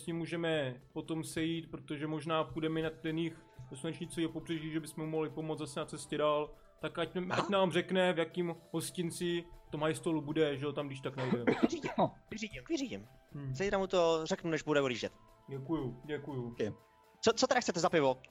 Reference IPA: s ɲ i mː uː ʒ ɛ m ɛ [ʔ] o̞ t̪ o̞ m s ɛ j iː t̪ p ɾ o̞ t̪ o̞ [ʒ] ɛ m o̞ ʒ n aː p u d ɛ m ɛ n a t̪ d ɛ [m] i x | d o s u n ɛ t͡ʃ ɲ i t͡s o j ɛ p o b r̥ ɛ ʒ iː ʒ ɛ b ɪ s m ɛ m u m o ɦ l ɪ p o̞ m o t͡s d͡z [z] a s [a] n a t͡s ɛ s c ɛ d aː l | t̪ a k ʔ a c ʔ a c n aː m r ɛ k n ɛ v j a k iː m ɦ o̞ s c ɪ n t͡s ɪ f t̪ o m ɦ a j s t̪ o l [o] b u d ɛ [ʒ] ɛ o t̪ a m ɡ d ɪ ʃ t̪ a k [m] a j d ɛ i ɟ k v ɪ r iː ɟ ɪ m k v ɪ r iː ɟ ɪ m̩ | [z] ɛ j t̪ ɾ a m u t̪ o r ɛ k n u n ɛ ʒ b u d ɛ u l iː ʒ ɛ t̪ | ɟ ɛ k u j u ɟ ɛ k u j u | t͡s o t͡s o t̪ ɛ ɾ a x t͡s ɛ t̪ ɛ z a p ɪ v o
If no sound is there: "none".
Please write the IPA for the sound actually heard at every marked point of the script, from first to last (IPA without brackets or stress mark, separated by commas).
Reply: p, ʒ, n, z, ɛ, u, ʒ, n, z